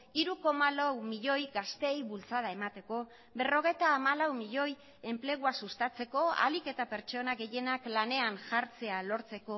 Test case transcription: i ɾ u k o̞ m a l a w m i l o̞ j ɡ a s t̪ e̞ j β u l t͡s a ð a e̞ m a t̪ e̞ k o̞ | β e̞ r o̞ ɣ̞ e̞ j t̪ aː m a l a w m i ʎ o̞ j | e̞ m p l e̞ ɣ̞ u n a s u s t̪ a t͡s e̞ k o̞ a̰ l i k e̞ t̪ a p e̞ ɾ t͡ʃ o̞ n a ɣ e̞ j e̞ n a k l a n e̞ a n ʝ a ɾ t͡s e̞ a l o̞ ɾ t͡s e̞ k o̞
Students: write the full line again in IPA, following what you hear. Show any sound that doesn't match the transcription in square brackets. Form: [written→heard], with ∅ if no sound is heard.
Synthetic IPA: i ɾ u k o̞ m a l a w m i [l→ʎ] o̞ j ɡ a s t̪ e̞ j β u l t͡s a ð a e̞ m a t̪ e̞ k o̞ | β e̞ r o̞ ɣ̞ e̞ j t̪ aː m a l a w m i ʎ o̞ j | e̞ m p l e̞ ɣ̞ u [n→∅] a s u s t̪ a t͡s e̞ k o̞ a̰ l i k e̞ t̪ a p e̞ ɾ t͡ʃ o̞ n a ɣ e̞ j e̞ n a k l a n e̞ a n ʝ a ɾ t͡s e̞ a l o̞ ɾ t͡s e̞ k o̞

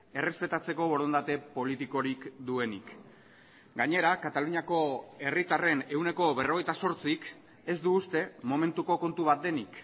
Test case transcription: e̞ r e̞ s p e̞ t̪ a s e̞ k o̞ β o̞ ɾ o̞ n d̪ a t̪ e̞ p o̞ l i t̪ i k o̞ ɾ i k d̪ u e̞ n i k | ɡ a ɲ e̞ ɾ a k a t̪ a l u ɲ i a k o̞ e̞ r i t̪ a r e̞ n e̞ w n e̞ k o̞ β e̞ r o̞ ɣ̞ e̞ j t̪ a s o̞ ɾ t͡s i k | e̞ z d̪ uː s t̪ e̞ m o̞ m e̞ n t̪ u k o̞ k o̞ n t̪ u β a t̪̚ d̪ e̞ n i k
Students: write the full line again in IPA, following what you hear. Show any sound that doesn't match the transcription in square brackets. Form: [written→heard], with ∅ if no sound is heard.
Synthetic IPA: e̞ r e̞ s p e̞ t̪ a [s→t͡s] e̞ k o̞ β o̞ ɾ o̞ n d̪ a t̪ e̞ p o̞ l i t̪ i k o̞ ɾ i k d̪ u e̞ n i k | ɡ a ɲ e̞ ɾ a k a t̪ a l u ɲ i a k o̞ e̞ r i t̪ a r e̞ n e̞ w n e̞ k o̞ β e̞ r o̞ ɣ̞ e̞ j t̪ a s o̞ ɾ t͡s i k | e̞ z d̪ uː s t̪ e̞ m o̞ m e̞ n t̪ u k o̞ k o̞ n t̪ u β a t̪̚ d̪ e̞ n i k

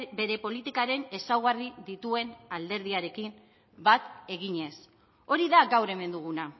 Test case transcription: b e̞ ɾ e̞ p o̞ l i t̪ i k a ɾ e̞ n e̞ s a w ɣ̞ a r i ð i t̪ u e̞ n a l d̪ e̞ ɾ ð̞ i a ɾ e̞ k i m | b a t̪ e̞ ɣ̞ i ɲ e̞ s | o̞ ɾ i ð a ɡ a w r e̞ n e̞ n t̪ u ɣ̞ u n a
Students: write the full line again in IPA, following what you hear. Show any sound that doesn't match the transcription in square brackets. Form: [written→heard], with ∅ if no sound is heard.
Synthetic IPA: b e̞ ɾ e̞ p o̞ l i t̪ i k a ɾ e̞ n e̞ s a w ɣ̞ a r i ð i t̪ u e̞ n a l d̪ e̞ ɾ ð̞ i a ɾ e̞ k i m | b a t̪ e̞ ɣ̞ i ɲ e̞ s | o̞ ɾ i ð a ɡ a w [r→ɾ] e̞ [n→m] e̞ n [t̪→d̪] u ɣ̞ u n a

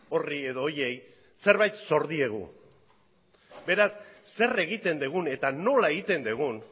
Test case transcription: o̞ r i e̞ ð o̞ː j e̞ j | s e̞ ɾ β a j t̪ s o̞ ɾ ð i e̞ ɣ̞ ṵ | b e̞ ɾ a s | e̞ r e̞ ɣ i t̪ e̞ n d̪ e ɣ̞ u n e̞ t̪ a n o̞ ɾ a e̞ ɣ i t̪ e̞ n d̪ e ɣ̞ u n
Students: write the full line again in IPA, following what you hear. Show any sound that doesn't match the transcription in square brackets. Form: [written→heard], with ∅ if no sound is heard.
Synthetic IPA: o̞ r i e̞ ð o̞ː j e̞ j | s e̞ ɾ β a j t̪ s o̞ ɾ ð i e̞ ɣ̞ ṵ | b e̞ ɾ a [s→sː] | e̞ r e̞ ɣ i t̪ e̞ n d̪ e ɣ̞ u n e̞ t̪ a n o̞ [ɾ→l] a e̞ ɣ i t̪ e̞ n d̪ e ɣ̞ u n

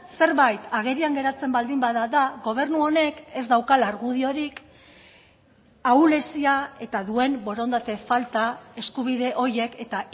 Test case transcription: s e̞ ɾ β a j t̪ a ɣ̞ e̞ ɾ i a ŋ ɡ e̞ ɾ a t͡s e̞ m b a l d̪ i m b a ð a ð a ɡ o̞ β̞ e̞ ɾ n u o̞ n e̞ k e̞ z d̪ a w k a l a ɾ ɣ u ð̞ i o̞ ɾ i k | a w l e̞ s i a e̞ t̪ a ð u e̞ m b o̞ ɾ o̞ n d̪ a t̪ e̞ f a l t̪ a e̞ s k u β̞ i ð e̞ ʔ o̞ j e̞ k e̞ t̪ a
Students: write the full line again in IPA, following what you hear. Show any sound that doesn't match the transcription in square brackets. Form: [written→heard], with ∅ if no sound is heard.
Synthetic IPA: s e̞ ɾ β a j t̪ a ɣ̞ e̞ ɾ i a ŋ ɡ e̞ ɾ a t͡s e̞ m b a l d̪ i m b a ð a ð a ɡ o̞ β̞ e̞ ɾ n u o̞ n e̞ k e̞ z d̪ a w k a l a ɾ ɣ u ð̞ i o̞ ɾ i k | a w l e̞ s i a e̞ t̪ a ð u e̞ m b o̞ ɾ o̞ n d̪ a t̪ e̞ f a l t̪ a e̞ s k u β̞ i ð e̞ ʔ o̞ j e̞ k e̞ t̪ a

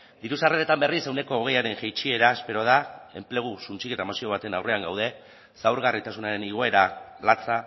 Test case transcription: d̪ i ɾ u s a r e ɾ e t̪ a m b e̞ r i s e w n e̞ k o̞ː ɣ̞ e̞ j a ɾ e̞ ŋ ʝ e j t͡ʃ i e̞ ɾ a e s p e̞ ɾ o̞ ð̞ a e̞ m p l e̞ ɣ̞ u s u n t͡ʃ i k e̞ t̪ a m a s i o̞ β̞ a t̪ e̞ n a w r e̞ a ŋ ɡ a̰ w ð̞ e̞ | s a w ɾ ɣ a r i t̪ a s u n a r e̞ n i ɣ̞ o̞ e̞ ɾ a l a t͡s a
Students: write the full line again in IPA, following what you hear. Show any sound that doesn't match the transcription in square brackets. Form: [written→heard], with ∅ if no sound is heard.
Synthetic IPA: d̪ i ɾ u s a r e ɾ e t̪ a m b e̞ r i s e w n e̞ k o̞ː ɣ̞ e̞ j a ɾ e̞ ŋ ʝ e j t͡ʃ i e̞ ɾ a e s p e̞ ɾ o̞ ð̞ a e̞ m p l e̞ ɣ̞ u s u n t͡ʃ i k e̞ t̪ a m a s i o̞ β̞ a t̪ e̞ n a w r e̞ a ŋ ɡ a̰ w ð̞ e̞ | s a w ɾ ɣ a r i t̪ a s u n a [r→ɾ] e̞ n i ɣ̞ o̞ e̞ ɾ a l a t͡s a

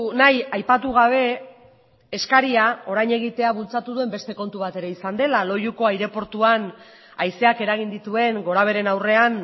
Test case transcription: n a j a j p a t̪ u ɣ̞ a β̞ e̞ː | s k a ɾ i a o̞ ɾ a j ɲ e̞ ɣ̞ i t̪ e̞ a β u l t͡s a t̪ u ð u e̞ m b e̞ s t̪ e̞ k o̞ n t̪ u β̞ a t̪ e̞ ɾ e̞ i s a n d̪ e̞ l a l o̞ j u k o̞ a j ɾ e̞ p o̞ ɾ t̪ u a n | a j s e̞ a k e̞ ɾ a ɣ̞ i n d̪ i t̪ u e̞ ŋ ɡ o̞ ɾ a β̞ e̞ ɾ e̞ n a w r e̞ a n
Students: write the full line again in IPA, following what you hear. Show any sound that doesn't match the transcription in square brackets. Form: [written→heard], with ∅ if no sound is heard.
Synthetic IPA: n a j a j p a t̪ u ɣ̞ a β̞ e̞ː | s k a ɾ i a o̞ ɾ a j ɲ e̞ ɣ̞ i t̪ e̞ a β u l t͡s a t̪ u ð u e̞ m b e̞ s t̪ e̞ k o̞ n t̪ u β̞ a t̪ e̞ ɾ e̞ i s a n d̪ e̞ l a l o̞ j u k o̞ a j ɾ e̞ p o̞ ɾ t̪ u a n | a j s e̞ a k e̞ ɾ a ɣ̞ i n d̪ i t̪ u e̞ ŋ ɡ o̞ ɾ a β̞ e̞ ɾ e̞ n a w r e̞ a n

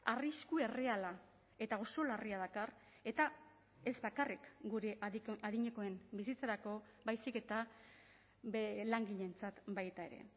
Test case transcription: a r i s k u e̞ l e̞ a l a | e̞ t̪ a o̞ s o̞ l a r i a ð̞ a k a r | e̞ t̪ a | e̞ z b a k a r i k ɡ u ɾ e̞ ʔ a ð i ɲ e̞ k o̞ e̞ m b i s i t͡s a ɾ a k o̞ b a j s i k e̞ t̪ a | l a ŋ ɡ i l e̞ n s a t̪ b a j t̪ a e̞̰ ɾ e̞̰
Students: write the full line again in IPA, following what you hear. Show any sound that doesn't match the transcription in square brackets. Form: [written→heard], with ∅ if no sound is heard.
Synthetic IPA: a r i s k u e̞ [l→r] e̞ a l a | e̞ t̪ a o̞ s o̞ l a r i a ð̞ a k a r | e̞ t̪ a | e̞ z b a k a r i k ɡ u ɾ e̞ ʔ a ð i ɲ e̞ k o̞ e̞ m b i s i t͡s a ɾ a k o̞ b a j s i k e̞ t̪ a | l a ŋ ɡ i [l→ʎ] e̞ n [s→t͡s] a t̪ b a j t̪ a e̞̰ ɾ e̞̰

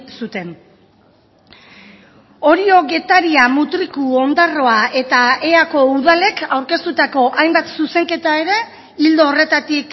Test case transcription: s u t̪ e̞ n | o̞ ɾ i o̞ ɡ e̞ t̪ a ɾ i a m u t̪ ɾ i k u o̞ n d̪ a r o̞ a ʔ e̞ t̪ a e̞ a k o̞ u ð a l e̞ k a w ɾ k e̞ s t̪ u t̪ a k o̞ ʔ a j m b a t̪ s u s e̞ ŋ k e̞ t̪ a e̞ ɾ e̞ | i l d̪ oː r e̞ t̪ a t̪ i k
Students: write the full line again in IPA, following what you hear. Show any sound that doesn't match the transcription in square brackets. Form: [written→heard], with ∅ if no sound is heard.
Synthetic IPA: s u t̪ e̞ n | o̞ ɾ i o̞ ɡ e̞ t̪ a ɾ i a m u t̪ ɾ i k u o̞ n d̪ a r o̞ a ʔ e̞ t̪ a e̞ a k o̞ u ð a l e̞ k a w ɾ k e̞ s t̪ u t̪ a k o̞ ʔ a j m b a t̪ s u s e̞ ŋ k e̞ t̪ a e̞ ɾ e̞ | i l d̪ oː r e̞ t̪ a t̪ i k

